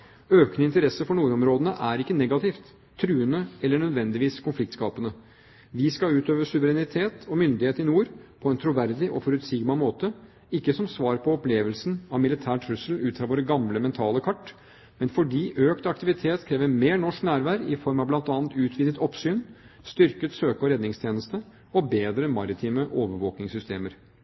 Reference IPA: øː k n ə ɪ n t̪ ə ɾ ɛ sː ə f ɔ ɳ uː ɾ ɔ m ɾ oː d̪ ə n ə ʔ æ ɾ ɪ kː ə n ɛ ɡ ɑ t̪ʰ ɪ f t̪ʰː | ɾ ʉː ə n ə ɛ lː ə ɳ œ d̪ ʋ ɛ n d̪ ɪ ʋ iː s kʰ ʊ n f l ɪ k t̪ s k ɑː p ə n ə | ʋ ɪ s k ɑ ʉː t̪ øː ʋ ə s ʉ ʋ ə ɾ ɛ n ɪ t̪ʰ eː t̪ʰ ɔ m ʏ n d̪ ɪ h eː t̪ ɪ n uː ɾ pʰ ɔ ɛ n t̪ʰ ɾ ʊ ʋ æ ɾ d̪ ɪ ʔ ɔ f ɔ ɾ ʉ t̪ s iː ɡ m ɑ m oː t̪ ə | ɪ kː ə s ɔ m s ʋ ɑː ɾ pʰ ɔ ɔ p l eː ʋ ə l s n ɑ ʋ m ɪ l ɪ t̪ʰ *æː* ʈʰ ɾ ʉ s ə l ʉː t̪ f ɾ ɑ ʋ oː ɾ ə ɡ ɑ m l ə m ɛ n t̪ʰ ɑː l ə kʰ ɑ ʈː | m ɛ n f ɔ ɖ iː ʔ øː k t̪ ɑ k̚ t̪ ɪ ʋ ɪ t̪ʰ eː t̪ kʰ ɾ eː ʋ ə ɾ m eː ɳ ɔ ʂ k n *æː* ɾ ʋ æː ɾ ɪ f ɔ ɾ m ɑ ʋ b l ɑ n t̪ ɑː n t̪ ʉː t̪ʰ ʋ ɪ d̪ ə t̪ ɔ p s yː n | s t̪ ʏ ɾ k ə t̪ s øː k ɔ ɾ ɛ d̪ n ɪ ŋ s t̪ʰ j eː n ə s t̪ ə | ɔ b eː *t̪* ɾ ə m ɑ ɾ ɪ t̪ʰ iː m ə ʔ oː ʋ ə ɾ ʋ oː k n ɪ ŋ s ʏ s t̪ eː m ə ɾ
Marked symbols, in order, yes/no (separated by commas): yes, yes, no